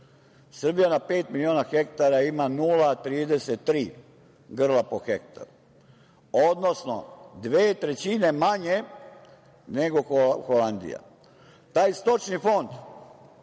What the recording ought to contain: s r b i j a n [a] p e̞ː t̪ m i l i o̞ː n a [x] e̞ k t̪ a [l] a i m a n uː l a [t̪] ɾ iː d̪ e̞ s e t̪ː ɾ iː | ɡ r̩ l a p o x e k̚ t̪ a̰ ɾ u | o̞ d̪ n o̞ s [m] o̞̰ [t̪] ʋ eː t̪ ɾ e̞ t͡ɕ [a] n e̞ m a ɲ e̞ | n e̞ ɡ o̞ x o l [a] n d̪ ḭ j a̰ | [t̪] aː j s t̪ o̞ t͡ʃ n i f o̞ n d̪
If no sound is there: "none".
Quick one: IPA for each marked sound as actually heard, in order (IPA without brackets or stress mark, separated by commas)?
a, x, ɾ, t̪, n, d̪, i, a, t̪